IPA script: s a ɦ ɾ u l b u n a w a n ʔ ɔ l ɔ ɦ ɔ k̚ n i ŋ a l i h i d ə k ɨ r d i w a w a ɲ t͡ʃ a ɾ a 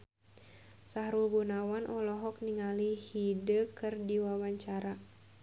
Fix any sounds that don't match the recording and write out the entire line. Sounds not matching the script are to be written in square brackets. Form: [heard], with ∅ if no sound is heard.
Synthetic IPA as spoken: s a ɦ ɾ u l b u n a w a n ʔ ɔ l ɔ ɦ ɔ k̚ n i ŋ a l i h i d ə k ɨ r d i w a w a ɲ t͡ʃ a ɾ a